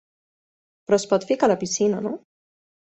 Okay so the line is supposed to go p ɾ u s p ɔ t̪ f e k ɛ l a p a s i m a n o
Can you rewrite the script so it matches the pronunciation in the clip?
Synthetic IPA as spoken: p ɾ ɔ s p ɔ t̪ f i k a l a p i s i n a n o

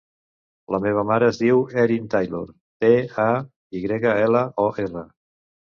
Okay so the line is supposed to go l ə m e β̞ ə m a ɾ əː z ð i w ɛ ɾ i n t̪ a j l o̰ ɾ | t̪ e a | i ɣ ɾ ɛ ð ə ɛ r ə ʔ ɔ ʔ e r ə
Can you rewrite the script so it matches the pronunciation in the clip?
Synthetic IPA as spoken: l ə m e β̞ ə m a ɾ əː z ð i w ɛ ɾ i n t̪ a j l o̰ ɾ | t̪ e a | i ɣ ɾ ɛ ɣ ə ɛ l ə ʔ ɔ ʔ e r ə

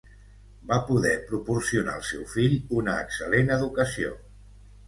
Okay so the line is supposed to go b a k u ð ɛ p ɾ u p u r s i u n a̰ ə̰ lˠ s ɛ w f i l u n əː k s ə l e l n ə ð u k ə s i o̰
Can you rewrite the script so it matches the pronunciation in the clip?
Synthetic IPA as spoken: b a p u ð ɛ p ɾ u p u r s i u n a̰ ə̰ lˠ s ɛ w f i ʎ u n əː k s ə l e n ə ð u k ə s i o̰

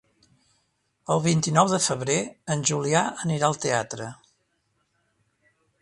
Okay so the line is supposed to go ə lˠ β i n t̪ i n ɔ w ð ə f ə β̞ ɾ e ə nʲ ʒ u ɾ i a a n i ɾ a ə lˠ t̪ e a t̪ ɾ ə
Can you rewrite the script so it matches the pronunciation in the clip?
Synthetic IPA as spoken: ə lˠ β i n t̪ i n ɔ w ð ə f ə β̞ ɾ e ə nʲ ʒ u l i a ə n i ɾ a ə lˠ t̪ e a t̪ ɾ ə

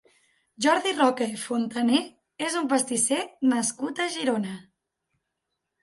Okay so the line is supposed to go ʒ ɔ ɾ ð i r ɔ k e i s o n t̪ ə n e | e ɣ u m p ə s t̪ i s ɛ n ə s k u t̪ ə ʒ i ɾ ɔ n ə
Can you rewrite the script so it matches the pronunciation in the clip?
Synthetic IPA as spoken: ʒ ɔ ɾ ð i r ɔ k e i f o n t̪ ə n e | e z u m p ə s t̪ i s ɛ n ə s k u t̪ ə ʒ i ɾ o n ə

